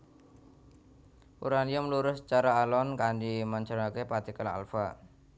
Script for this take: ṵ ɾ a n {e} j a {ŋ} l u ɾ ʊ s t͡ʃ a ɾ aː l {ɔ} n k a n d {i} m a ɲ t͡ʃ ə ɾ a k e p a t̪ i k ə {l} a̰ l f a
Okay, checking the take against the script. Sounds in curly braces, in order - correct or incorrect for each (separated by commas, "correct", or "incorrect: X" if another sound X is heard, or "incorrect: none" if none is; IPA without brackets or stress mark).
incorrect: i, incorrect: m, correct, correct, correct